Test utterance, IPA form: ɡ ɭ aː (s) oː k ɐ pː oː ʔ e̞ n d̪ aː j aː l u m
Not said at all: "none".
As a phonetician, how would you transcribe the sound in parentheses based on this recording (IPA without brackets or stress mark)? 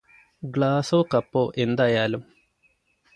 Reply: s